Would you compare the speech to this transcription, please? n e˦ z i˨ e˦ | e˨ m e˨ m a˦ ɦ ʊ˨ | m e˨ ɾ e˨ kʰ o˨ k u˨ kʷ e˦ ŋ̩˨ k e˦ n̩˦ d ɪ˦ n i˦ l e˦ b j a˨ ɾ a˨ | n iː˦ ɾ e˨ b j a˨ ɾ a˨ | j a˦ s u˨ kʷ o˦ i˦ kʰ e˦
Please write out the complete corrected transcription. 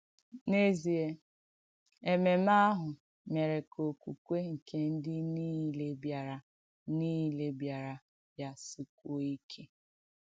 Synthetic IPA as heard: n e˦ z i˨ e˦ | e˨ m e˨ m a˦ ɦ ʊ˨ | m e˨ ɾ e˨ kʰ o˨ k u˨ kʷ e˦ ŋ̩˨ k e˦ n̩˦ d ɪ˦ n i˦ l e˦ b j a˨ ɾ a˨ | n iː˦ l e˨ b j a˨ ɾ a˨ | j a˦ s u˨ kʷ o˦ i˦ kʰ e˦